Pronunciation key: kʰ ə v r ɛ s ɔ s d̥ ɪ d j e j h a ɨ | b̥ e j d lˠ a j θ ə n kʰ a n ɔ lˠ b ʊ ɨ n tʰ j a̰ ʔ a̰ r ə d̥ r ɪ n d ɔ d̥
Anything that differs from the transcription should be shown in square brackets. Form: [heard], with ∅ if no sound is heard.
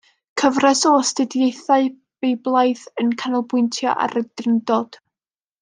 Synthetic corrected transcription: kʰ ə v r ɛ s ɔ s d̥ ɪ d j e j [θ] a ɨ | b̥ e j [b] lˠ a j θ ə n kʰ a n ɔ lˠ b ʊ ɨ n tʰ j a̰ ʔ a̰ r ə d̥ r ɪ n d ɔ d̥

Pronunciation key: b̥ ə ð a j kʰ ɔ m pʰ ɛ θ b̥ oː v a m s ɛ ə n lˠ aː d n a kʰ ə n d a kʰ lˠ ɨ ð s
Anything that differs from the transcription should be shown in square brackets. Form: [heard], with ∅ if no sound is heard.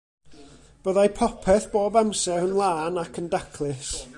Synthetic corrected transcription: b̥ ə ð a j [pʰ] ɔ [∅] pʰ ɛ θ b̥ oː [b] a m s ɛ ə n lˠ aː [∅] n a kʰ ə n d a kʰ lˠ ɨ [∅] s

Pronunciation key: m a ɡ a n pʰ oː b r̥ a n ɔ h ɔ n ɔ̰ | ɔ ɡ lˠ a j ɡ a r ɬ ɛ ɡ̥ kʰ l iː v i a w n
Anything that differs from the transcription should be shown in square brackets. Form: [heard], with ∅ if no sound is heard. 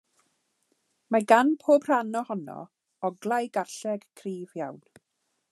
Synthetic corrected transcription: m a ɡ a n pʰ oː b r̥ a n ɔ h ɔ n ɔ̰ | ɔ ɡ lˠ a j ɡ a r ɬ ɛ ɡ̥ kʰ [r] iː v [j] a w n

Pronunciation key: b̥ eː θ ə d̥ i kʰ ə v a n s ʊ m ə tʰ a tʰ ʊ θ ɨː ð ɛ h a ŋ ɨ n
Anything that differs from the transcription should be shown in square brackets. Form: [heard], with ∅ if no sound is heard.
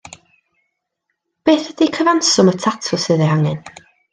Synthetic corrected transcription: b̥ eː θ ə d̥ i kʰ ə v a n s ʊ m ə tʰ a tʰ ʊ [s] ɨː ð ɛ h a ŋ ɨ n

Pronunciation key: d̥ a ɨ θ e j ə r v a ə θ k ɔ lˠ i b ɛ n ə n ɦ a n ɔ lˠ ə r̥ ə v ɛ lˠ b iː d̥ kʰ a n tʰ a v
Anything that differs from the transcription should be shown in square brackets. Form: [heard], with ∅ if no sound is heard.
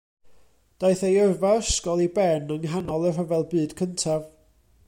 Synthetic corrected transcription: d̥ a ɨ θ e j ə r v a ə [s] k ɔ lˠ i b ɛ n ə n ɦ a n ɔ lˠ ə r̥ ə v ɛ lˠ b [ɨː] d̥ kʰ [ə] n tʰ a v

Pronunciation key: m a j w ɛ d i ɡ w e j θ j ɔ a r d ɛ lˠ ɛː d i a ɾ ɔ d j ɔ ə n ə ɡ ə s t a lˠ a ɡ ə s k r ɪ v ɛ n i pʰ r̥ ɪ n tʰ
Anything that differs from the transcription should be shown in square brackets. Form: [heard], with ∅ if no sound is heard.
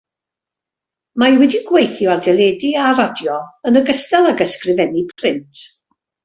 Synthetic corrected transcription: m a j w ɛ d i ɡ w e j θ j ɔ a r d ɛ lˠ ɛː d i a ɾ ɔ d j ɔ ə n ə ɡ ə s t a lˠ a ɡ ə s k r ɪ v ɛ n i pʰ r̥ ɪ n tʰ

